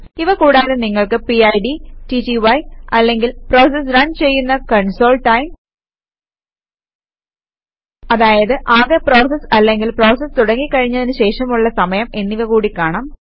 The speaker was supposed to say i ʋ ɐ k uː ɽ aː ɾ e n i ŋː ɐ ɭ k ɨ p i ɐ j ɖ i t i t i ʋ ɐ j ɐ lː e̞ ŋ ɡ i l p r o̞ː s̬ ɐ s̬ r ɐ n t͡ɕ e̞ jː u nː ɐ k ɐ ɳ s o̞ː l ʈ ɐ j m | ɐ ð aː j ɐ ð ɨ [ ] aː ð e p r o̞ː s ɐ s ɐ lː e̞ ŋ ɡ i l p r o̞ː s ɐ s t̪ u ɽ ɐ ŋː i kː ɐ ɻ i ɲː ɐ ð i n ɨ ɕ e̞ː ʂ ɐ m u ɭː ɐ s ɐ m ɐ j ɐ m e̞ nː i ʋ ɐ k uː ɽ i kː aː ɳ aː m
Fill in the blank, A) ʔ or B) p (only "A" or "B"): A